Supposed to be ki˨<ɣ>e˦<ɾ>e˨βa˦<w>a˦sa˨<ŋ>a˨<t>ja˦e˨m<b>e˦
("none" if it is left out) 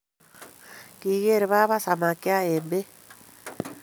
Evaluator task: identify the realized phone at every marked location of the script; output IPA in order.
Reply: ɣ, ɾ, β, m, k, b

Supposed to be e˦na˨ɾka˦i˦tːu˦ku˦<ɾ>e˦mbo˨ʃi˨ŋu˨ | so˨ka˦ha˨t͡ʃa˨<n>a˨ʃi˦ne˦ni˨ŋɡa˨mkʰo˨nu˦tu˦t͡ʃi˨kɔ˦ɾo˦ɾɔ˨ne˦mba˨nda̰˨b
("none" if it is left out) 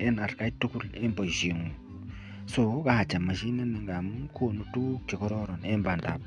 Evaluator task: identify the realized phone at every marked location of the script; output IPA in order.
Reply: l, m

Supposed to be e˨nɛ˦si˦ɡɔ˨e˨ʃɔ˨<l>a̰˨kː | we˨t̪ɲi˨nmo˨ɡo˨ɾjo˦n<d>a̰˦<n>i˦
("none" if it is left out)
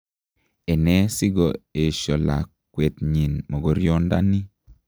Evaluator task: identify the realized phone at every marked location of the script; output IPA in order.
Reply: l, d, n

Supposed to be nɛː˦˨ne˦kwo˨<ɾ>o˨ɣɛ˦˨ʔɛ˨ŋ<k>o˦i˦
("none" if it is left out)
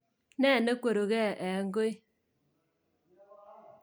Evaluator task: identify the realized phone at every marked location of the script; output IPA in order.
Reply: ɾ, ɡ

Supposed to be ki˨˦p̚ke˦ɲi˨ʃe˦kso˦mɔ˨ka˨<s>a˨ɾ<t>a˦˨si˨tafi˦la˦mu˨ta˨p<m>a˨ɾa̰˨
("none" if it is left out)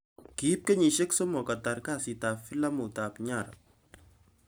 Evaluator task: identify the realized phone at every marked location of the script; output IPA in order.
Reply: t, k, ɲ

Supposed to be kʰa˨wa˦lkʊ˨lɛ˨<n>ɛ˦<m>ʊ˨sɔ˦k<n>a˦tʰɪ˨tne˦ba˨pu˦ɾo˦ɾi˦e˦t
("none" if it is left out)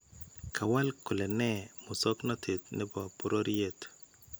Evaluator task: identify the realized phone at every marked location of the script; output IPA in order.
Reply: n, m, n

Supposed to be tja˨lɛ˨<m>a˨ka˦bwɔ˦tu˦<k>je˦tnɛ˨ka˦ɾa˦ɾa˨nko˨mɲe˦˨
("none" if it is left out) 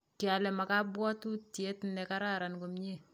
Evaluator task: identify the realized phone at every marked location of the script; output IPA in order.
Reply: m, t

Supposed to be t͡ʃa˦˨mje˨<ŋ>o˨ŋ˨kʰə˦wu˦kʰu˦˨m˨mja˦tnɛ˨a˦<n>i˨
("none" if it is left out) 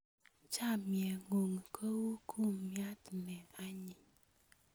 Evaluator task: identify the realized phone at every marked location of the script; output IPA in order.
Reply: ŋ, ɲ

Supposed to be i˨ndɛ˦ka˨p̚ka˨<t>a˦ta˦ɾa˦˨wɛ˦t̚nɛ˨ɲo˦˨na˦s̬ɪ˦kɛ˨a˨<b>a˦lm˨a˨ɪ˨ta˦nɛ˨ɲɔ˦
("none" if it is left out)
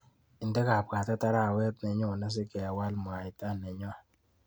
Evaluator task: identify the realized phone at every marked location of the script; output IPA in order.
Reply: t, w

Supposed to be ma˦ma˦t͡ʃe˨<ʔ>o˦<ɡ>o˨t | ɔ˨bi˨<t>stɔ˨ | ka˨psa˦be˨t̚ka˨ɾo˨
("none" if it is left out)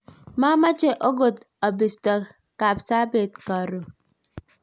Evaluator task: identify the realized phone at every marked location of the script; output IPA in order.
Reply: ʔ, ɡ, none

